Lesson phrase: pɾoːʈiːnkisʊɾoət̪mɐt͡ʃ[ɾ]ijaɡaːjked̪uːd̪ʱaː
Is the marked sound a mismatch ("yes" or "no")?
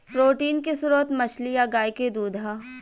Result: yes